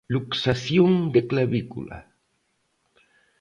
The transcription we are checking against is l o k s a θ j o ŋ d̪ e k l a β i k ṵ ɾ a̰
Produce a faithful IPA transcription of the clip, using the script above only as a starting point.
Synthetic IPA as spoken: l u k s a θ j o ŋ d̪ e k l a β i k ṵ l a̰

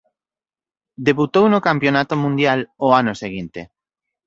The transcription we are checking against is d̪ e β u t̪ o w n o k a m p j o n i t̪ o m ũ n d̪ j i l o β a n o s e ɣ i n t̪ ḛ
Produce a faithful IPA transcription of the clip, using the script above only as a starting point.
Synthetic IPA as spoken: d̪ e β u t̪ o w n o k a m p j o n a t̪ o m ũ n d̪ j a l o a n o s e ɣ i n t̪ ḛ

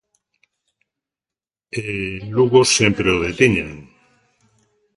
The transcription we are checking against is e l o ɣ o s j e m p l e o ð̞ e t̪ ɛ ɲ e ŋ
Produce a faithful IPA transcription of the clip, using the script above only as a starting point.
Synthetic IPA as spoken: e l u ɣ o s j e m p ɾ e o ð̞ e t̪ i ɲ e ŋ

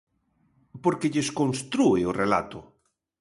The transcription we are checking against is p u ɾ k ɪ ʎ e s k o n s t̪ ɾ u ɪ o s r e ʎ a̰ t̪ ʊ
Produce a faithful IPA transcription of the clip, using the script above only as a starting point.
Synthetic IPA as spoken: p o ɾ k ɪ ʎ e s k o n s t̪ ɾ u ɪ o r e l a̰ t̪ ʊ

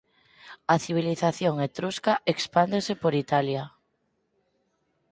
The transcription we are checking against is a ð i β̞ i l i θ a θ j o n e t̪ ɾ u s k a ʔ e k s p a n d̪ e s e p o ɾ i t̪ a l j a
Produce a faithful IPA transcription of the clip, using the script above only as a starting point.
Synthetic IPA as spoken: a θ i β̞ i l i θ a θ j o ŋ e t̪ ɾ u s k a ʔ e k s p a n d̪ e s e p o ɾ i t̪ a l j a

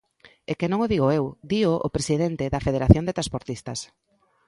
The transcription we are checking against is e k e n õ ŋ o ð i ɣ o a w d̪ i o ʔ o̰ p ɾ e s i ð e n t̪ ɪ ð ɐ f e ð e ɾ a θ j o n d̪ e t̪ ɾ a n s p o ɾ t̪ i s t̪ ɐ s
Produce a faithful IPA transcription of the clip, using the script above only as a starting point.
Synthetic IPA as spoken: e k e n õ ŋ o ð i ɣ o e w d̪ i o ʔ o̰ p ɾ e s i ð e n t̪ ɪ ð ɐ f e ð e ɾ a θ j o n d̪ e t̪ ɾ a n s p o ɾ t̪ i s t̪ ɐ s

